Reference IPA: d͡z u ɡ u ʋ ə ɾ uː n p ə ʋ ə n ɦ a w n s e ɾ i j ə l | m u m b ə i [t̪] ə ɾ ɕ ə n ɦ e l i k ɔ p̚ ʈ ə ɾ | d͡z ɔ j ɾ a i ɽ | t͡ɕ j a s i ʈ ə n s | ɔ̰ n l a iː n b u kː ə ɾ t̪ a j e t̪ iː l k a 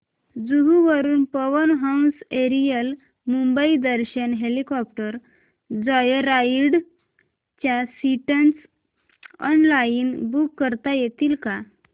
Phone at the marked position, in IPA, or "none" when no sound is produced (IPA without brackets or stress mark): d̪